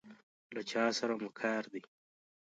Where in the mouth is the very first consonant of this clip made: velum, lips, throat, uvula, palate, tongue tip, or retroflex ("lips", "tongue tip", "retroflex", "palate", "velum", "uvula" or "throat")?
tongue tip